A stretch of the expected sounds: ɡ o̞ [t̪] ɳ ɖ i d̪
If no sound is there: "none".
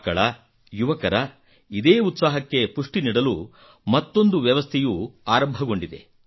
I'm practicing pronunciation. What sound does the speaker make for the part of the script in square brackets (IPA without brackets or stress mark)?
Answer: none